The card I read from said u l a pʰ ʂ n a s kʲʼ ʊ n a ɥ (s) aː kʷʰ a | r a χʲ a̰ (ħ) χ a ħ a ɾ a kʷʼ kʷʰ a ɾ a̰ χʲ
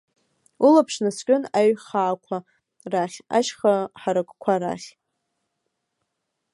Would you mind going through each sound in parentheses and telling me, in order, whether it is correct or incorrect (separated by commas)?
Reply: incorrect, incorrect